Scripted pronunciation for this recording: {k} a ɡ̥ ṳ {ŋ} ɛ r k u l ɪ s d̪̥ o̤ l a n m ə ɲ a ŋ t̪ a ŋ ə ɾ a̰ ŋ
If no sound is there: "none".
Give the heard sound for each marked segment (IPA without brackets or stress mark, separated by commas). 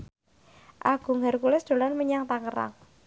ʔ, ŋ